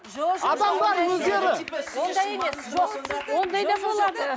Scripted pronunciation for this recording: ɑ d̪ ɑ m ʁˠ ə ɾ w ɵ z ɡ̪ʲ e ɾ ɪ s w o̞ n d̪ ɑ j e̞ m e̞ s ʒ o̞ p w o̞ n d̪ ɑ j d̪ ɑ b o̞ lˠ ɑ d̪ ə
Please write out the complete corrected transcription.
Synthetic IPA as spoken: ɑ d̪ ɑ m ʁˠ ɑ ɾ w ɵ z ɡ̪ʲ e ɾ ɪ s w o̞ n d̪ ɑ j e̞ m e̞ s ʒ o̞ q w o̞ n d̪ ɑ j d̪ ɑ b o̞ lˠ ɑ d̪ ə